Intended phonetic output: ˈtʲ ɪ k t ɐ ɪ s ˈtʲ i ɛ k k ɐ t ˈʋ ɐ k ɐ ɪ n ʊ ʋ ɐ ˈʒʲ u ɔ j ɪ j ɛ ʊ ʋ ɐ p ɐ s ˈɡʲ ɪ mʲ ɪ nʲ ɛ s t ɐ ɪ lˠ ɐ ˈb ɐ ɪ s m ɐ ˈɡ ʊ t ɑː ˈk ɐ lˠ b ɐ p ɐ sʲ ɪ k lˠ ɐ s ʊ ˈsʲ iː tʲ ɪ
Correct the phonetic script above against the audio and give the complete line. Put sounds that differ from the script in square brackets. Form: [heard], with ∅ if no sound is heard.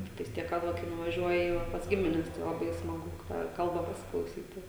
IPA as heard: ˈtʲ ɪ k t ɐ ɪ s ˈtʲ i ɛ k k ɐ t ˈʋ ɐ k ɐ ɪ n ʊ ʋ ɐ ˈʒʲ u ɔ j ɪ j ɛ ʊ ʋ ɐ p ɐ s ˈɡʲ ɪ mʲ ɪ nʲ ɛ s t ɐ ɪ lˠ ɐ ˈb ɐ ɪ s m ɐ ˈɡ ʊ t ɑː ˈk ɐ lˠ b ɐ p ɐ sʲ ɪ k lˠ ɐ [∅] ʊ ˈsʲ iː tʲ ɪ